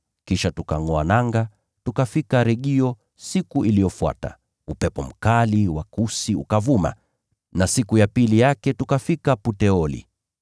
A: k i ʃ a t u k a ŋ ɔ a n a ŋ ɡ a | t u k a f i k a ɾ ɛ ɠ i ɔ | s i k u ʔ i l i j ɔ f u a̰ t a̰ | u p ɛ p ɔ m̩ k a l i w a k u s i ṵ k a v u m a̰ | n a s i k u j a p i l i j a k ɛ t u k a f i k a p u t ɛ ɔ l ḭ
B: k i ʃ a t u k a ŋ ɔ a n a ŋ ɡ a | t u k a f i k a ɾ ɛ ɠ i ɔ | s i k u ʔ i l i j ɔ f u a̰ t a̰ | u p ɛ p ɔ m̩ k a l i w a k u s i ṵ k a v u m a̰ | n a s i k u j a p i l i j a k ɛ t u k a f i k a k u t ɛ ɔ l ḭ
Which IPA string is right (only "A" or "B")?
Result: A